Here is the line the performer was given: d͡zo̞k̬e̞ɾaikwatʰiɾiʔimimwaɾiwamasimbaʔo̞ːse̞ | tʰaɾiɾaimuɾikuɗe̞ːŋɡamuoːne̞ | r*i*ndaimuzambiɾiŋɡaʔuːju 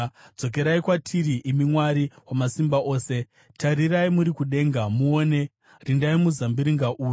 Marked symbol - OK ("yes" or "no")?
yes